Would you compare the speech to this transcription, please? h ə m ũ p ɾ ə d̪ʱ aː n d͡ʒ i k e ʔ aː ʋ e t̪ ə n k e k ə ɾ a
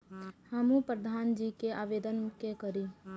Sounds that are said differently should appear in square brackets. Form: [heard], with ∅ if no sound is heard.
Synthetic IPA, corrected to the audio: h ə m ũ p ɾ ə d̪ʱ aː n d͡ʒ i k e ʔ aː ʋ e [d̪] ə n k e k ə ɾ [i]